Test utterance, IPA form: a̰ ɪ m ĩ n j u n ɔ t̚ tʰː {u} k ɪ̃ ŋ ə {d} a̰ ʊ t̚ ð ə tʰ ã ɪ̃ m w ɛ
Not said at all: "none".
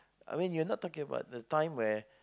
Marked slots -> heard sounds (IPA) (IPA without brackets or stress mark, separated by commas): ɔ, b